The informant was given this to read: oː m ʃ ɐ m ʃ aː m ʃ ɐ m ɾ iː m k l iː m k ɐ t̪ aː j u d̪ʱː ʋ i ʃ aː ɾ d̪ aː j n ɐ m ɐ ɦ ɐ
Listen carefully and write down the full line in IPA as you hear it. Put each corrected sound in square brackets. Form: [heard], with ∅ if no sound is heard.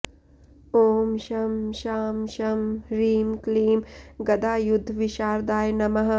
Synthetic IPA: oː m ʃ ɐ m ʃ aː m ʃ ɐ m ɾ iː m k l iː m [ɡ] ɐ [d̪] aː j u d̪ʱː ʋ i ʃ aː ɾ d̪ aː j n ɐ m ɐ ɦ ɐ